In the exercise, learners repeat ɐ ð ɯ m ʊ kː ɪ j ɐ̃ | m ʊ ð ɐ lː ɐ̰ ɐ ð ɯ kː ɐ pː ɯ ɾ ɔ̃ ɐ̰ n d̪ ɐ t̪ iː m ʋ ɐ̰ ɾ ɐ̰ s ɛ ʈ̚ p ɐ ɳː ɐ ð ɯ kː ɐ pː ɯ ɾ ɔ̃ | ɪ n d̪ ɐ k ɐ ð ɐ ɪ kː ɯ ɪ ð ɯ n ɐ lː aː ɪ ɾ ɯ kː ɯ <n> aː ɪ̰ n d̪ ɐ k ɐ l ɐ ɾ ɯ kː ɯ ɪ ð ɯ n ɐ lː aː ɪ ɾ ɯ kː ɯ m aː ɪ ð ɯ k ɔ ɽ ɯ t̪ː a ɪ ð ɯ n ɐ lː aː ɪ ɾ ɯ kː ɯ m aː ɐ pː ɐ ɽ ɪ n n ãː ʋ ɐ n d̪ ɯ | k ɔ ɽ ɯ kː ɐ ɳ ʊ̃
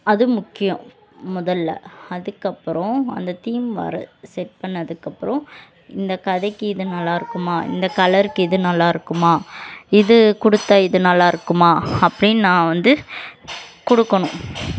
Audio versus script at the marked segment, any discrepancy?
yes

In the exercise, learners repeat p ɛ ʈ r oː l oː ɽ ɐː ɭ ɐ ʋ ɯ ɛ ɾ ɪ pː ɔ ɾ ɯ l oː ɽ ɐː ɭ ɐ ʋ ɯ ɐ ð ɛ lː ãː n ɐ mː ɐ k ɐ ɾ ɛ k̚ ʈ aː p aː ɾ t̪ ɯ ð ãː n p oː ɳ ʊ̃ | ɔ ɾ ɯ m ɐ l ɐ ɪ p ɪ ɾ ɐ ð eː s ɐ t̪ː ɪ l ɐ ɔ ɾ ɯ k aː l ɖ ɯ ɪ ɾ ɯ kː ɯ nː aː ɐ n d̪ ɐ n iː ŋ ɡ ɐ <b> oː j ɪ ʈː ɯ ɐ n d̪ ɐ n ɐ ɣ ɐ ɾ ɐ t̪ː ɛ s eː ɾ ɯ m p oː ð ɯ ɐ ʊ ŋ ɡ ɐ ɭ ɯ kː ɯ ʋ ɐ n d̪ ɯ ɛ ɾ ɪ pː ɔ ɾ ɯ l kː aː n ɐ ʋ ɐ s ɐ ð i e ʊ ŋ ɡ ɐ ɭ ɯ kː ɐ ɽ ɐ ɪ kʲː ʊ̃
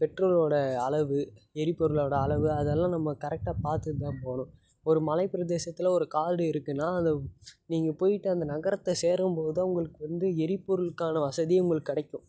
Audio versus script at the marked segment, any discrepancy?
yes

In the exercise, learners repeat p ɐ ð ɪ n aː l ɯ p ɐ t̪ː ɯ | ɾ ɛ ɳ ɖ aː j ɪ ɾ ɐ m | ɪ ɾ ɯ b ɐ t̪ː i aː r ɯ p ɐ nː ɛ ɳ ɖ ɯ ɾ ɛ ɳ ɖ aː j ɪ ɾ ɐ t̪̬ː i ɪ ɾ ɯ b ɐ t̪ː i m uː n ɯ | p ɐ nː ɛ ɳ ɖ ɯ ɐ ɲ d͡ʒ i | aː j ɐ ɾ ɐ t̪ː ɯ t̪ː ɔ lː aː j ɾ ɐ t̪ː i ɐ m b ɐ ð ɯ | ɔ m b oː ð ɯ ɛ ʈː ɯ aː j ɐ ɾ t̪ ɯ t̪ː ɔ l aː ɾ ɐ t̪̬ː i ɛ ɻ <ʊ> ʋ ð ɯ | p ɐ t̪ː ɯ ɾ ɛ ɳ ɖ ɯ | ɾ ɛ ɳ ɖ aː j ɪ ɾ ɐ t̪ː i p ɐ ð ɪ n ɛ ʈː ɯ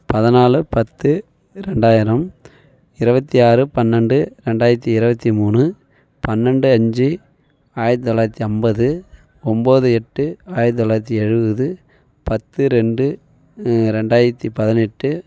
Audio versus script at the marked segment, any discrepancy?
yes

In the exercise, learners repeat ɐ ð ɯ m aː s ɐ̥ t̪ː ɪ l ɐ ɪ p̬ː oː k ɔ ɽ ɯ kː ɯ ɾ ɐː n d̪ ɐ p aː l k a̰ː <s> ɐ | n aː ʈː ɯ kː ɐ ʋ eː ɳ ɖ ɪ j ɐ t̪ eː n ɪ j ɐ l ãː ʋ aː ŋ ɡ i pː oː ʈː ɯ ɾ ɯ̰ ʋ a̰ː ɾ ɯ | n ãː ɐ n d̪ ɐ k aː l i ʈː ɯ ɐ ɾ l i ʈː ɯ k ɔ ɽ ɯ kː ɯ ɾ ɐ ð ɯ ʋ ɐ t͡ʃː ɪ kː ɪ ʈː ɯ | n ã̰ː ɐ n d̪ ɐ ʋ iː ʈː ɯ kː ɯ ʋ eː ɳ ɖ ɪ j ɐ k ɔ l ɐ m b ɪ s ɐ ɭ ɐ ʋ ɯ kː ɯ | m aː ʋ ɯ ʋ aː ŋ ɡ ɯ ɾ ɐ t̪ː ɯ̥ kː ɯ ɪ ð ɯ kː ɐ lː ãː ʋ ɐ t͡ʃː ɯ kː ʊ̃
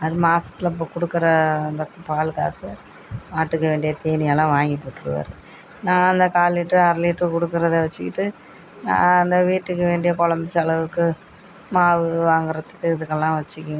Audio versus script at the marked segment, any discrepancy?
no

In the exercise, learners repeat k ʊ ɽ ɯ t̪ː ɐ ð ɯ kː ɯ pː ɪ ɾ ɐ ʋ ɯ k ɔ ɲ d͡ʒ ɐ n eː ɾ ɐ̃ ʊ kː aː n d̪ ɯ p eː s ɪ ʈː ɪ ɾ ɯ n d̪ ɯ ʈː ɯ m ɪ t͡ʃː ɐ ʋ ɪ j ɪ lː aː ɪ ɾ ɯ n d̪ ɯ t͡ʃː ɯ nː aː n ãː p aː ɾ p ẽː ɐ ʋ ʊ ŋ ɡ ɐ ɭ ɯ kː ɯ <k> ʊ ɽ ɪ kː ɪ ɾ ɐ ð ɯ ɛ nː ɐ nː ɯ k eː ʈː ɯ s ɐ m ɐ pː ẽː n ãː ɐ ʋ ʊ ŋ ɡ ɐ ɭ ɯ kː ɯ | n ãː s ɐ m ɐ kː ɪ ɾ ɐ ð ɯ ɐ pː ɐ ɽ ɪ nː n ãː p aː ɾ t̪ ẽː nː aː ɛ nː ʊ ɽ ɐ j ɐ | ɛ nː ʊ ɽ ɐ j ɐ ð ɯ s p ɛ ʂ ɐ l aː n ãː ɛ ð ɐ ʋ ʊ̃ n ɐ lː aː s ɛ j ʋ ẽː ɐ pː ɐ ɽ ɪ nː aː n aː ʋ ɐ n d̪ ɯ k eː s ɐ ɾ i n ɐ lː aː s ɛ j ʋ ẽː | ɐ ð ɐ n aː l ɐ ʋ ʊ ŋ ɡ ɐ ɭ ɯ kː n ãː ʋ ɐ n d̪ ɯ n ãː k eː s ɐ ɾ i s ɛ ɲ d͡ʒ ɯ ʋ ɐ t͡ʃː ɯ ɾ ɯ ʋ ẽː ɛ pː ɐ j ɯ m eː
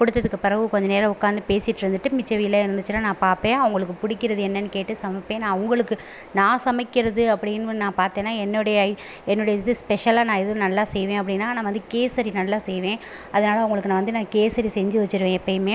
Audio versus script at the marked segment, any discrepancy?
yes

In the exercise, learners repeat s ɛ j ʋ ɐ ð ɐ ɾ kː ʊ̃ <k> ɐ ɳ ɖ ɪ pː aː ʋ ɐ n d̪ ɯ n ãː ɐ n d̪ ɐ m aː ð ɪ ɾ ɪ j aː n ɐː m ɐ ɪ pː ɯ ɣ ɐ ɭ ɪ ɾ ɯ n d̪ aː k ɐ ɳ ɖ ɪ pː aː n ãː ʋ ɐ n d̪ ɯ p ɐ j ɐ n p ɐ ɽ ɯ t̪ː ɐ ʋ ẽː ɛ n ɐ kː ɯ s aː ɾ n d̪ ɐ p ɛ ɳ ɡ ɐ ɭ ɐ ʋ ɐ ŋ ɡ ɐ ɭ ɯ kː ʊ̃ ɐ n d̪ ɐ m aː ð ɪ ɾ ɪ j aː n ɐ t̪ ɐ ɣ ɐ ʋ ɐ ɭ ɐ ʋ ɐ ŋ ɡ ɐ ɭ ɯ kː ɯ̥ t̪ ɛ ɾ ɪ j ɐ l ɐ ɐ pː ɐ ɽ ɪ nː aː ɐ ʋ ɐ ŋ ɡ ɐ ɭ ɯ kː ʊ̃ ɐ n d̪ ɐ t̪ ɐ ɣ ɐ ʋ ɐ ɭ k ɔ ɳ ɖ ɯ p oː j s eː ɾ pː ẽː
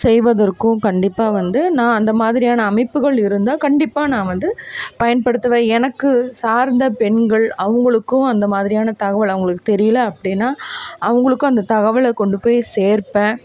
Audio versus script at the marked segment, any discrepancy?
no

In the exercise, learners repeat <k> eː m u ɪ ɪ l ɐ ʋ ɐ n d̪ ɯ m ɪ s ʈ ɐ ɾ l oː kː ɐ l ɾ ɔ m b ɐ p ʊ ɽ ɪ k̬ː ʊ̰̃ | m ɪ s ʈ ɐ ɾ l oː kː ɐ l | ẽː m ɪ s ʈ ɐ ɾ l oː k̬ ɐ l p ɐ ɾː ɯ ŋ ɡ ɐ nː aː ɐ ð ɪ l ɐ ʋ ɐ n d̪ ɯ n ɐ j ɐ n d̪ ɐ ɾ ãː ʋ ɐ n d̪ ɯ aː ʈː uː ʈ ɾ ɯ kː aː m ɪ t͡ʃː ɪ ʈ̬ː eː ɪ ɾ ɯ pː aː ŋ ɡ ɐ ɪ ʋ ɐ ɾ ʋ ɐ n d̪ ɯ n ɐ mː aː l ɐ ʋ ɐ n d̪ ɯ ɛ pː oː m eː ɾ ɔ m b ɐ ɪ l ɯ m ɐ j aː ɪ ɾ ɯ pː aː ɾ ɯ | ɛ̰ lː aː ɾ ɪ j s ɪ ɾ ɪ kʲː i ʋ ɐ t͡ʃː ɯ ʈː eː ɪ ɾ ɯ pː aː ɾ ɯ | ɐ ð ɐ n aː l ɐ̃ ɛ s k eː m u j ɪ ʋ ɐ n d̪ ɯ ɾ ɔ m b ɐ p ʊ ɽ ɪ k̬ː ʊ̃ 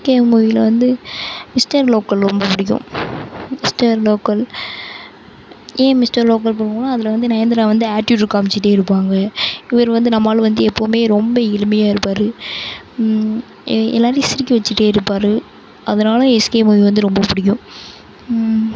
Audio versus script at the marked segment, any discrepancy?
no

